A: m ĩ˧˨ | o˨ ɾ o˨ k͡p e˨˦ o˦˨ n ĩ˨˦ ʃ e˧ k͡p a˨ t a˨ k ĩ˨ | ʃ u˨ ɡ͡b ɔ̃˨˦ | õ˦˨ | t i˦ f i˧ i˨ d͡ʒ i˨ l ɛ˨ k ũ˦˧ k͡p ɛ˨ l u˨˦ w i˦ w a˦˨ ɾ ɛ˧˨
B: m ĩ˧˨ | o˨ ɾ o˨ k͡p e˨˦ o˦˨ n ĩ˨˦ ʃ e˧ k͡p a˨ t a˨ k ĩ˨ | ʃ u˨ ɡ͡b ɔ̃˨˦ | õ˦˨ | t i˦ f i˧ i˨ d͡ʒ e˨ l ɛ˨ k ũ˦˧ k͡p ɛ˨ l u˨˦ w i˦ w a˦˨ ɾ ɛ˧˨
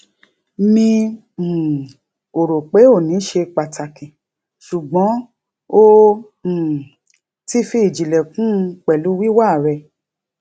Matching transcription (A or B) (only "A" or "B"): A